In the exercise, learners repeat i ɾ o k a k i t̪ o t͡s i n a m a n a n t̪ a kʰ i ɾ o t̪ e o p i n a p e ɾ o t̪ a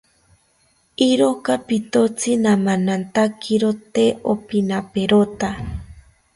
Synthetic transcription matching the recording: i ɾ o k a p i t̪ o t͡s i n a m a n a n t̪ a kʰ i ɾ o t̪ e o p i n a p e ɾ o t̪ a